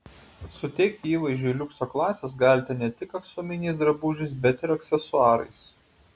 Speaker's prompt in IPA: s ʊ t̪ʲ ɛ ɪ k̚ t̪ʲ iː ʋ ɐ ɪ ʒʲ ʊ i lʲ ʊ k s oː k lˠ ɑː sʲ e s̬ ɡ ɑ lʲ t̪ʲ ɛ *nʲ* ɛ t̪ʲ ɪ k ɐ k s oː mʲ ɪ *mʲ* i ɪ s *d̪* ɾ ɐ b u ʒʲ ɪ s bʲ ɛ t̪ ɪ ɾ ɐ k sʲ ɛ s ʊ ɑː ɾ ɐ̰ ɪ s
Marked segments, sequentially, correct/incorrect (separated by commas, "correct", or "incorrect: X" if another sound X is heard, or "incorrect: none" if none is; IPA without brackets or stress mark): correct, incorrect: nʲ, correct